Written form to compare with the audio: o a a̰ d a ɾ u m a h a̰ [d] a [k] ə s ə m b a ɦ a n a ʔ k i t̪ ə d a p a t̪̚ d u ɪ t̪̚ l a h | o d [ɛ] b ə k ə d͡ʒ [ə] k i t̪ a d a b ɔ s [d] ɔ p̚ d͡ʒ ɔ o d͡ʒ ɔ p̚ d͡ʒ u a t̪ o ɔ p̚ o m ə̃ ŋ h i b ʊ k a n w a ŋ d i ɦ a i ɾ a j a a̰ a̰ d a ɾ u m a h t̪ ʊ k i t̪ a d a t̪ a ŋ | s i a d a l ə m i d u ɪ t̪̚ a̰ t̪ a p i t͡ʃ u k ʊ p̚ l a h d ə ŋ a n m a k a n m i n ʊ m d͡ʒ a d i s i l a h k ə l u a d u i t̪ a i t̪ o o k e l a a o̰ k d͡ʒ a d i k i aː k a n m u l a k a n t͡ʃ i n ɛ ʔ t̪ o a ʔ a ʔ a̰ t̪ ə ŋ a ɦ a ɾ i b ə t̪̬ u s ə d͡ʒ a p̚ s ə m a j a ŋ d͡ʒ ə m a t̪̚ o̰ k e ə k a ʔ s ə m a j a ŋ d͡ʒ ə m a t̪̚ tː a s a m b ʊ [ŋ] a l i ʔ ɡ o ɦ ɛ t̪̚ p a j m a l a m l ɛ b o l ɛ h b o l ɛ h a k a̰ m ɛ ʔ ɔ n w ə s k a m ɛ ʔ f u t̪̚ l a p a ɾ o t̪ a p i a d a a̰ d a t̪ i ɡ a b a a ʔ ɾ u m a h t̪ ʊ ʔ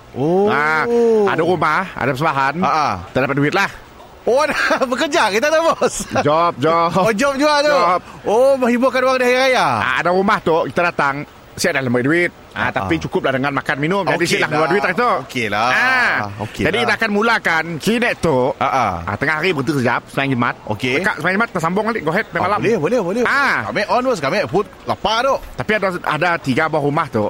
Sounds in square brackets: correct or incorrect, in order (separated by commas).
correct, incorrect, incorrect, incorrect, incorrect, correct